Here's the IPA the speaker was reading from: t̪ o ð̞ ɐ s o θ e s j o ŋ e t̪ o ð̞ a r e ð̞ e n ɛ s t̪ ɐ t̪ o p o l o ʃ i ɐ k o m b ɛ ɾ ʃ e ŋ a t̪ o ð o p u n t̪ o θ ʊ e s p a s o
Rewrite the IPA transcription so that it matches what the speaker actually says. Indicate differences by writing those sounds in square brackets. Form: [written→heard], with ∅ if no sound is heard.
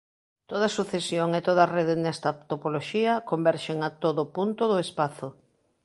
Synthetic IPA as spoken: t̪ o ð̞ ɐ s [o→u] θ e s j o ŋ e t̪ o ð̞ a r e ð̞ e n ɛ s t̪ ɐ t̪ o p o l o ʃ i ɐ k o m b ɛ ɾ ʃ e ŋ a t̪ o ð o p u n t̪ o [θ→ð] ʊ e s p a [s→θ] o

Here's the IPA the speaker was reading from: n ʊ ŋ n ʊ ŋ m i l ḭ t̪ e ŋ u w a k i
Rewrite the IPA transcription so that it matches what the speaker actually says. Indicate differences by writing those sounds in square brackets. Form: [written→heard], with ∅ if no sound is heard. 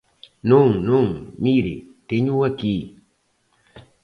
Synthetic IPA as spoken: n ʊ ŋ n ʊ ŋ m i [l→ɾ] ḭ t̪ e [ŋ→ɲ] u w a k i

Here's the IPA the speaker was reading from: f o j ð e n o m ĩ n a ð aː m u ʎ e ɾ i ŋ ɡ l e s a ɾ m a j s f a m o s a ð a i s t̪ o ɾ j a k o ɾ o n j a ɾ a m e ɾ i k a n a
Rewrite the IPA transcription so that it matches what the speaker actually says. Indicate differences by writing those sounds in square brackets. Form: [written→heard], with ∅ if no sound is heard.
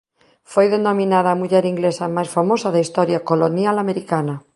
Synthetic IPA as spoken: f o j ð e n o m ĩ n a ð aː m u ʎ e ɾ i ŋ ɡ l e s a [ɾ→∅] m a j s f a m o s a ð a i s t̪ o ɾ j a k o [ɾ→l] o n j a [ɾ→l] a m e ɾ i k a n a

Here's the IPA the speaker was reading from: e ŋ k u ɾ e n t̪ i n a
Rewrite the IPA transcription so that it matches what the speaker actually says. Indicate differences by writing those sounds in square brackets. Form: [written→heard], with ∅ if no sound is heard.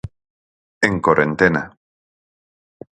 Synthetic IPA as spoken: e ŋ k [u→o] ɾ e n t̪ [i→e] n a

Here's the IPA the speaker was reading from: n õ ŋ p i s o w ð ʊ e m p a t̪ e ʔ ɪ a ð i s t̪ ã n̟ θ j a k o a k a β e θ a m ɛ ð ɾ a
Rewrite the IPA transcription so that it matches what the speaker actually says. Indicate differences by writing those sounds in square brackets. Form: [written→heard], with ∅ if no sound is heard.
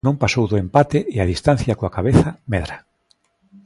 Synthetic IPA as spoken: n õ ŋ p [i→a] s o w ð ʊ e m p a t̪ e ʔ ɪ a ð i s t̪ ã n̟ θ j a k o a k a β e θ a m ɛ ð ɾ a

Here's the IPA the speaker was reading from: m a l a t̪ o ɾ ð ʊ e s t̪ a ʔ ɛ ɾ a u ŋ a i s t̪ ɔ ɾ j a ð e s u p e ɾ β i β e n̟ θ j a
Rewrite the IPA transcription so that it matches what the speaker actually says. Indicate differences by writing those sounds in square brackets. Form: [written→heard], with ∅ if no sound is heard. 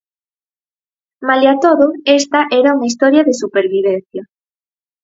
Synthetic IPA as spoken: m a l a t̪ o [ɾ→∅] ð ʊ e s t̪ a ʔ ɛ ɾ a u ŋ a i s t̪ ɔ ɾ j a ð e s u p e ɾ β i β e n̟ θ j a

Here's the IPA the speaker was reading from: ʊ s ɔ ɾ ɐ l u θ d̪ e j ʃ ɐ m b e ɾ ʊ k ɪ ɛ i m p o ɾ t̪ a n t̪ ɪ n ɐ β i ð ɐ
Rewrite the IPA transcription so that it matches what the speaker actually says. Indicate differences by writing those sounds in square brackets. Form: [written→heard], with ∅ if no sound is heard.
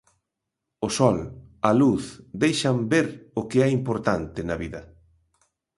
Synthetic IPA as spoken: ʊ s ɔ [ɾ→l] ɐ l u θ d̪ e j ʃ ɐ m b e ɾ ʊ k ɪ ɛ i m p o ɾ t̪ a n t̪ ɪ n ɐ β i ð ɐ

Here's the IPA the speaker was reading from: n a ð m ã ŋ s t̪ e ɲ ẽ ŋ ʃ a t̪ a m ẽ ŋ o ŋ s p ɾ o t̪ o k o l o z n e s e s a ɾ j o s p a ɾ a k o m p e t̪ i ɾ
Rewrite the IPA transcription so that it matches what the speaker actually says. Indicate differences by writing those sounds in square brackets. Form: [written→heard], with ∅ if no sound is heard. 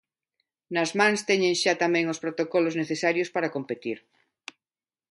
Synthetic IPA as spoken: n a [ð→z] m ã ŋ s t̪ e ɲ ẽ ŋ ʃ a t̪ a m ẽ ŋ o [ŋ→∅] s p ɾ o t̪ o k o l o z n e [s→θ] e s a ɾ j o s p a ɾ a k o m p e t̪ i ɾ

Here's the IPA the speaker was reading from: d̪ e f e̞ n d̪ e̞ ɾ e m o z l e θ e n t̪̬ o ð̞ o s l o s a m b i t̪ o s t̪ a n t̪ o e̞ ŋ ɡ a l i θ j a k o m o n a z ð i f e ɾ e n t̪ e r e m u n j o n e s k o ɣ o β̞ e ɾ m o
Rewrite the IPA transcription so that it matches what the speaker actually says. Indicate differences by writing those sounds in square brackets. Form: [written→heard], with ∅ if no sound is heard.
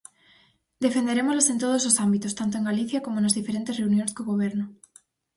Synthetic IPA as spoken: d̪ e f e̞ n d̪ e̞ ɾ e m o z l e [θ→s] e n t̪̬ o ð̞ o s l o s a m b i t̪ o s t̪ a n t̪ o e̞ ŋ ɡ a l i θ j a k o m o n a z ð i f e ɾ e n t̪ e r e [m→∅] u n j o n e s k o ɣ o β̞ e ɾ [m→n] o

